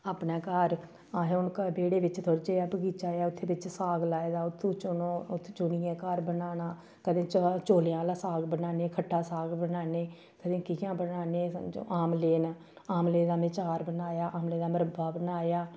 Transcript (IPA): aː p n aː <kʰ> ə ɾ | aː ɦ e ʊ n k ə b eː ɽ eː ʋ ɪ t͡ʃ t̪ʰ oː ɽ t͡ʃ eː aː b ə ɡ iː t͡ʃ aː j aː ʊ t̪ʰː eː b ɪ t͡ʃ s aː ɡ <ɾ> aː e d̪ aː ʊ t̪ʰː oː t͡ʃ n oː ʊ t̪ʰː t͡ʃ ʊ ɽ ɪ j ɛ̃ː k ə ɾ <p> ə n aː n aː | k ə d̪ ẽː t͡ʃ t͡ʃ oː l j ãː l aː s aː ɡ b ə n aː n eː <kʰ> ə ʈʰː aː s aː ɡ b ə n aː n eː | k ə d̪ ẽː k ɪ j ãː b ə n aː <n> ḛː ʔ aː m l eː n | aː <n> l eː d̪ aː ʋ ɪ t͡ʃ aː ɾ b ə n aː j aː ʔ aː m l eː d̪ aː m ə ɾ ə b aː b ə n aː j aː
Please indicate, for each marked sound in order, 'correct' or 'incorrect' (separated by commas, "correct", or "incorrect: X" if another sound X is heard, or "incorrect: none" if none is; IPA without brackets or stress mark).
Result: incorrect: k, incorrect: l, incorrect: b, correct, correct, incorrect: m